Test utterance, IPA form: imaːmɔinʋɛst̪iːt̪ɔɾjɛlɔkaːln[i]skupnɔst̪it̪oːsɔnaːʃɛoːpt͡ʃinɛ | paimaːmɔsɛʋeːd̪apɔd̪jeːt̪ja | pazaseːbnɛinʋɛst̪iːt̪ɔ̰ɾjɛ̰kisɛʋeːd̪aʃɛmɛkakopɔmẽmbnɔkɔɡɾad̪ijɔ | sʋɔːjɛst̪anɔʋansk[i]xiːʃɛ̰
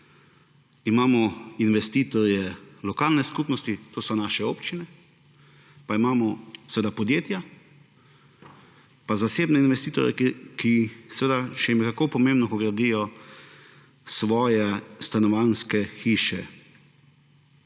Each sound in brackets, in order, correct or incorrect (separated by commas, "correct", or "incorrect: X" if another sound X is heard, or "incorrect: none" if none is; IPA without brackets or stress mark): incorrect: ɛ, incorrect: ɛ